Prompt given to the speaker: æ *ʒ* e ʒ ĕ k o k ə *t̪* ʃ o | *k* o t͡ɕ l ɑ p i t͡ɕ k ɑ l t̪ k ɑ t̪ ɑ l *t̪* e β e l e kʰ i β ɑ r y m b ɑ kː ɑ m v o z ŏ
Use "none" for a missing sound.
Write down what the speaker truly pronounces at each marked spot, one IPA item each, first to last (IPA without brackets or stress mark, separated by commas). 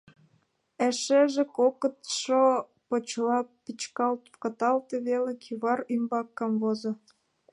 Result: ʃ, t̪, p, t̪